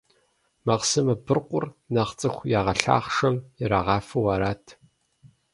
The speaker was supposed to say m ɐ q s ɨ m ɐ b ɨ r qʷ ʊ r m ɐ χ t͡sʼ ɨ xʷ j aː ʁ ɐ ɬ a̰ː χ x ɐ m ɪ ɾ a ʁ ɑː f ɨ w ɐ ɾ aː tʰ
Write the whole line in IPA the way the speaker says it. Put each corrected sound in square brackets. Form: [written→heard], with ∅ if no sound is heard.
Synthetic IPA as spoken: m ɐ q s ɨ m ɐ b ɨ r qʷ ʊ r [m→n] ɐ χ t͡sʼ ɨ xʷ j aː ʁ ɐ ɬ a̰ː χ [x→ʂ] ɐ m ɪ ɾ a ʁ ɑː f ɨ w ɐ ɾ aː tʰ